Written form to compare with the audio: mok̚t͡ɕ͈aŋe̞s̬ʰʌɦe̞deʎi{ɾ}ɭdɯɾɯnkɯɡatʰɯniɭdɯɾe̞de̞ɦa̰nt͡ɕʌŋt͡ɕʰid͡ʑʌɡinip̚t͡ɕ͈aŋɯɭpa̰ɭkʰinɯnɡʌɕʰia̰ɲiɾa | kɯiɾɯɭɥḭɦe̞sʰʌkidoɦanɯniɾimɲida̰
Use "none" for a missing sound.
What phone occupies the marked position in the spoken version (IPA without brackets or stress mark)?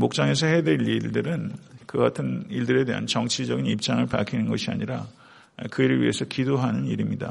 none